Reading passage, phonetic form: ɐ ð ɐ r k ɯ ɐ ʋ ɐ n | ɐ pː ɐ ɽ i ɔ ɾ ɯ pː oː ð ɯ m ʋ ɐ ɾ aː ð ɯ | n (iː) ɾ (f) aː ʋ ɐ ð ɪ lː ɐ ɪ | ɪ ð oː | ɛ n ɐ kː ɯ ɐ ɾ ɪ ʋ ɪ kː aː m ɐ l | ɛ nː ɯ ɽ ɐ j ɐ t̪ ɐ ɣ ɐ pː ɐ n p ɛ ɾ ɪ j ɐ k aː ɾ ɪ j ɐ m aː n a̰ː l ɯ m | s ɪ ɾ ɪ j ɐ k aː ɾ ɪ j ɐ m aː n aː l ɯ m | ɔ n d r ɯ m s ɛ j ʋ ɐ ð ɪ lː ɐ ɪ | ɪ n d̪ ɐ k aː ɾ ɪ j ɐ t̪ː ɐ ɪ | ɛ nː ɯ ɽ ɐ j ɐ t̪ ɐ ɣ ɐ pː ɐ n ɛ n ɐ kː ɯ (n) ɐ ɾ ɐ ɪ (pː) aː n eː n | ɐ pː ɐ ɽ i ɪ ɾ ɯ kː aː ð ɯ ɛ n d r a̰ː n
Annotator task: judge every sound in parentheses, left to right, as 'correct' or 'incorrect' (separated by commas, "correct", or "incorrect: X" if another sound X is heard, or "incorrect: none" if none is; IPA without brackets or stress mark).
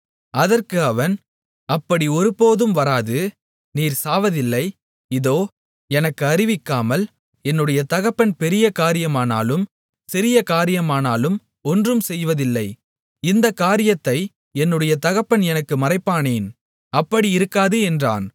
correct, incorrect: s, incorrect: m, correct